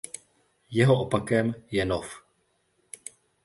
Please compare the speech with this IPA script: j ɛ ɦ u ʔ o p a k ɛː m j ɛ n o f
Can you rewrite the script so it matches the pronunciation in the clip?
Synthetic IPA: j ɛ ɦ o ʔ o p a k ɛ m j ɛ n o f